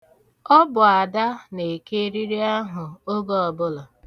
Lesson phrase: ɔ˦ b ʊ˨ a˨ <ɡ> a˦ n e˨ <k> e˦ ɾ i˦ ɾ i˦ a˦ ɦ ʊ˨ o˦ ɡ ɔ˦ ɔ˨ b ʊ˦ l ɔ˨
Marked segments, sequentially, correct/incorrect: incorrect, correct

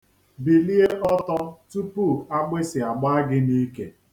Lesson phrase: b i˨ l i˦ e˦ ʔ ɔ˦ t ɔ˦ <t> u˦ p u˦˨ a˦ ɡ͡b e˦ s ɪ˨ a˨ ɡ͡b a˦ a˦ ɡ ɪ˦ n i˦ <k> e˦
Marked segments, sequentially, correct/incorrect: correct, correct

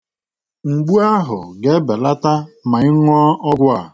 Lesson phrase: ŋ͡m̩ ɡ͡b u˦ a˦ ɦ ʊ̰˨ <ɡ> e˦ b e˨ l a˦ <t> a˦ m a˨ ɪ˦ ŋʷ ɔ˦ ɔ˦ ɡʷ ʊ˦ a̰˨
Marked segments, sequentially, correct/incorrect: correct, correct

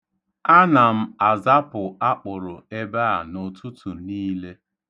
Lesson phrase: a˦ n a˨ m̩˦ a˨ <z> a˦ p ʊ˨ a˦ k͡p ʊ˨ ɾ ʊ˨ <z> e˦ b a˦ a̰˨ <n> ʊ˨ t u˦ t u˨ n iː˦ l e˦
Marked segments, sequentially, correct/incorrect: correct, incorrect, correct

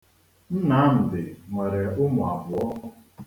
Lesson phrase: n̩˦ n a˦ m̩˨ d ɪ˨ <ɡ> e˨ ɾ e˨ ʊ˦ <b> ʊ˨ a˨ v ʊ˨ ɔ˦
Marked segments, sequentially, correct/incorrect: incorrect, incorrect

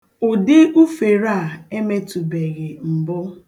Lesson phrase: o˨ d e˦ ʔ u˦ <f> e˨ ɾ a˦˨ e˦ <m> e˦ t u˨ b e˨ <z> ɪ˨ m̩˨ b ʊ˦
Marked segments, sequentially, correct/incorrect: correct, correct, incorrect

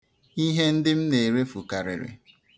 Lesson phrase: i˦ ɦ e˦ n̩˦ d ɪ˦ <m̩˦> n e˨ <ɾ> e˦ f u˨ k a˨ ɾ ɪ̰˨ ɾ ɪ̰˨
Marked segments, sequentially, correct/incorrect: correct, correct

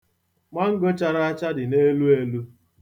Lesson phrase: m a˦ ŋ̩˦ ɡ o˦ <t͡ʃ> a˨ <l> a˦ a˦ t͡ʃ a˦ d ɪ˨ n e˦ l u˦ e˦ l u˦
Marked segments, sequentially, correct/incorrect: correct, incorrect

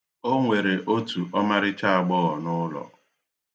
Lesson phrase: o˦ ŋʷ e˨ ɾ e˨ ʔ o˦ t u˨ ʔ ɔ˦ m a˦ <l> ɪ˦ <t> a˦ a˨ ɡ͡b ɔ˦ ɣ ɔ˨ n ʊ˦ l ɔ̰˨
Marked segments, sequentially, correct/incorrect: incorrect, incorrect

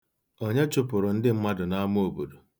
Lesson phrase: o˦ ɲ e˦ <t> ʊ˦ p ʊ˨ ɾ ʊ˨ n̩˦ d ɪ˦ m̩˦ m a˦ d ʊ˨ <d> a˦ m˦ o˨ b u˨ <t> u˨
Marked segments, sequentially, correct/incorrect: incorrect, incorrect, incorrect

